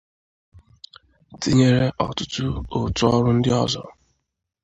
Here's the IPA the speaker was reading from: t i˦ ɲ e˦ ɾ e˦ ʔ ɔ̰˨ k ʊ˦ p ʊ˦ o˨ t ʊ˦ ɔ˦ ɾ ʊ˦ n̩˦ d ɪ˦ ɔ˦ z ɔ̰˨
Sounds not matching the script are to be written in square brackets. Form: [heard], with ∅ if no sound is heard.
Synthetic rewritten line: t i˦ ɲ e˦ ɾ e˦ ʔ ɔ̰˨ [t] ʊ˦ [t] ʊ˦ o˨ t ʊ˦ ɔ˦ ɾ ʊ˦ n̩˦ d ɪ˦ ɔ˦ z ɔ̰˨